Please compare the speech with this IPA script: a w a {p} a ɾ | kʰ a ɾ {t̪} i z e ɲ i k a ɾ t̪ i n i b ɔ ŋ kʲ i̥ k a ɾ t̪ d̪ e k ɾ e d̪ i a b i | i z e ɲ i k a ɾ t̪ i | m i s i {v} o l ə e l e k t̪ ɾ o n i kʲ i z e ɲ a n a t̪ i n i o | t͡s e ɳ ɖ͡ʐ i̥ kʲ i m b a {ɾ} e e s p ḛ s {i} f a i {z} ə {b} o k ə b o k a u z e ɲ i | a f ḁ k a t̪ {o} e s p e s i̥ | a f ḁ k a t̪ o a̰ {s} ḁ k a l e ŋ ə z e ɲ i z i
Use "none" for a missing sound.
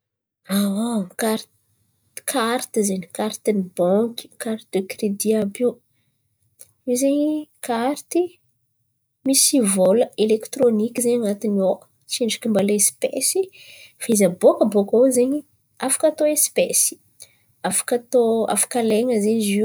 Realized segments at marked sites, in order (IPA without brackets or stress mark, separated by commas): k, t̪, v, l, i, z, b, o, f